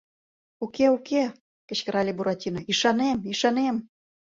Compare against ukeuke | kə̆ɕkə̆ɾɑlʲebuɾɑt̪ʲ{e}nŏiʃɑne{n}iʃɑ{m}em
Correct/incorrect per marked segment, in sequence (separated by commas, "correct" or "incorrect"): incorrect, incorrect, incorrect